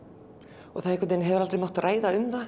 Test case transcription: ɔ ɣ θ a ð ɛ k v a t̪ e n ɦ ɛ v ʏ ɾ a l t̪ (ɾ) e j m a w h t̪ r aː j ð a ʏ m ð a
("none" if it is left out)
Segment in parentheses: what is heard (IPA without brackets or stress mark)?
ɾ